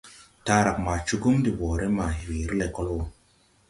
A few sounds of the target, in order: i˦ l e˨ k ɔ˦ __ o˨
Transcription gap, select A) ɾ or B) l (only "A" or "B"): B